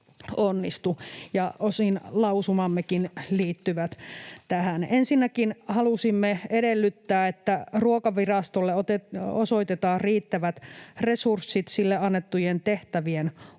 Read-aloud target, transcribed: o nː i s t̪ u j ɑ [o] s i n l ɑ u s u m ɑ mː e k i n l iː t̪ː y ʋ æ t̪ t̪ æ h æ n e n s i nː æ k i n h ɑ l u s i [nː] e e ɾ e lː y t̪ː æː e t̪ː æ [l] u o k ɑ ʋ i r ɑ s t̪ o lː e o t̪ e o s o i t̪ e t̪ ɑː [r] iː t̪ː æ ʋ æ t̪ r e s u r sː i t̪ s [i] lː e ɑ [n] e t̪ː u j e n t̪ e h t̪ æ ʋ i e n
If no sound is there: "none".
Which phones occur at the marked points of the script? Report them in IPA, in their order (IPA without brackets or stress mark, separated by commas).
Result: o, mː, r, r, i, nː